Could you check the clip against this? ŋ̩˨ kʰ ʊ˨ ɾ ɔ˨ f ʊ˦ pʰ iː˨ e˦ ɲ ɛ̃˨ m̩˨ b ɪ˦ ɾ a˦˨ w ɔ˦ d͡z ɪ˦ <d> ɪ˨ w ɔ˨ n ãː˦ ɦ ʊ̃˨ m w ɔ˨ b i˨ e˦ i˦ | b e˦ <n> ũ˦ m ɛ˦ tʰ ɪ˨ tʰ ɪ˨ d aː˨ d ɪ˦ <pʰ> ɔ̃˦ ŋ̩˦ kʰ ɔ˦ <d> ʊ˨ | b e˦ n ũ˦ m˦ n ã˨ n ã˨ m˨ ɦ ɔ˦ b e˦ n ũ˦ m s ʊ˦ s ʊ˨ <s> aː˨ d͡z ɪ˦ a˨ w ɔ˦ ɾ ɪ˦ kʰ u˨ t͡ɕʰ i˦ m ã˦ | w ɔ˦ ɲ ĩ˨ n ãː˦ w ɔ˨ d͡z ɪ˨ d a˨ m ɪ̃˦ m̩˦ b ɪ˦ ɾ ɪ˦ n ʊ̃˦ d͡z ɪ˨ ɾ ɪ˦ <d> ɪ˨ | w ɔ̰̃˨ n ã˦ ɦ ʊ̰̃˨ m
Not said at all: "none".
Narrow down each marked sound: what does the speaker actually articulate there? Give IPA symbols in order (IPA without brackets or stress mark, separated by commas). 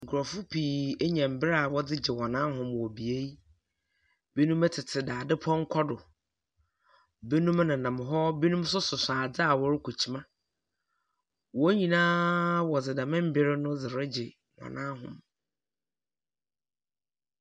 d͡ʑ, n, pʰ, d, s, d͡ʑ